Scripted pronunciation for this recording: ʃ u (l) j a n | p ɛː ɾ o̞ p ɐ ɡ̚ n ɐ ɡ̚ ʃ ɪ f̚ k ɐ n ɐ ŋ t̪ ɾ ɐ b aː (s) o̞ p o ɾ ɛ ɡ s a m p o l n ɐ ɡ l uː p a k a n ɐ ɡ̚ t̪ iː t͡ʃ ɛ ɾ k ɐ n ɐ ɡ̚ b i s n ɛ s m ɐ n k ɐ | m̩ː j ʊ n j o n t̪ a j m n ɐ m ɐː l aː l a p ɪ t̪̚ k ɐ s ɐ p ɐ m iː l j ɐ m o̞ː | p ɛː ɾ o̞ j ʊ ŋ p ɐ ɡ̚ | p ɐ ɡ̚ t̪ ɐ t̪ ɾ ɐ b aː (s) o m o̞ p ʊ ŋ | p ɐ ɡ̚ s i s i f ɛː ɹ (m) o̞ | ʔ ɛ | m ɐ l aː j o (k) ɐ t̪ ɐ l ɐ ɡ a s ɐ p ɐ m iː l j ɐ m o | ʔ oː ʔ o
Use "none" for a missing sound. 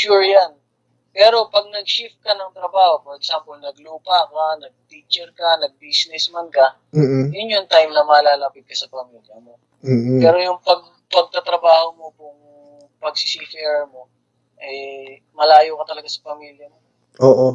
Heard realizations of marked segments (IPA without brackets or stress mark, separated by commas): ɹ, h, h, m, k